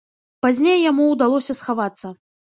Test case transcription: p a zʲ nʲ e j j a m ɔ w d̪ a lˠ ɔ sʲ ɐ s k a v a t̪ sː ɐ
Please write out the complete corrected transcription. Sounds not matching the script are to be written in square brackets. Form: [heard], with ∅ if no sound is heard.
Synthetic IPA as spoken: p a zʲ nʲ e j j a m [u] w d̪ a lˠ ɔ sʲ ɐ s [x] a v a t̪ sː ɐ